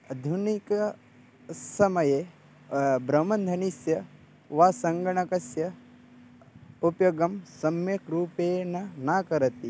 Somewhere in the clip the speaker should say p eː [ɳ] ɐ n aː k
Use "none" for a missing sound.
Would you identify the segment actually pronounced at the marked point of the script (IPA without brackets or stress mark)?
n